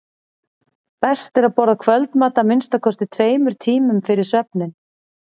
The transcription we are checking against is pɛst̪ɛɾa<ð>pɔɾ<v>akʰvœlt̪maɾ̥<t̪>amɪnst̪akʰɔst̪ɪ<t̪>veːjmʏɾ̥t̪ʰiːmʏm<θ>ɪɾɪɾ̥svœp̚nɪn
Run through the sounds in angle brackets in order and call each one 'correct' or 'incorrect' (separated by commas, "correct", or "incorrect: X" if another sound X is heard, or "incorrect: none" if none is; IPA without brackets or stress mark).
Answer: correct, incorrect: ð, correct, incorrect: t̪ʰ, incorrect: f